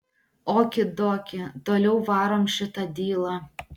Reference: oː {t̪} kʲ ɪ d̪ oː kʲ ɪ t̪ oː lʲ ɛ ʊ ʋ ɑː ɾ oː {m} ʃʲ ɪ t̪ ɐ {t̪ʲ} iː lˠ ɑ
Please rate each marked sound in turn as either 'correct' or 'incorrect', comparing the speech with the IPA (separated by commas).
incorrect, correct, incorrect